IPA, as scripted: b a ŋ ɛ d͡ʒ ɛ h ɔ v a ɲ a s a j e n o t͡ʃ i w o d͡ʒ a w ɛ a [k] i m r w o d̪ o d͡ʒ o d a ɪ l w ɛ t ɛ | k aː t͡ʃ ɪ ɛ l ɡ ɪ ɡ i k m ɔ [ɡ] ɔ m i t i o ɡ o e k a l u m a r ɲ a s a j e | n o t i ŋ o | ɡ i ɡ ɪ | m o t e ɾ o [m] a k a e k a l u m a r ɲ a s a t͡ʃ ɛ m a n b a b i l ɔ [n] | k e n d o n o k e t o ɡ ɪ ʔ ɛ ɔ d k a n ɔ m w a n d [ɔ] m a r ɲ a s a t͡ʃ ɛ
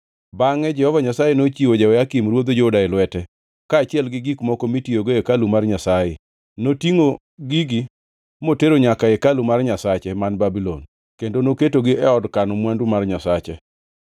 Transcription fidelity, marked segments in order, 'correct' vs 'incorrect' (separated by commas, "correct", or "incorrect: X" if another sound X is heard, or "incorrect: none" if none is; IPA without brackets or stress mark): correct, incorrect: k, incorrect: ɲ, correct, incorrect: u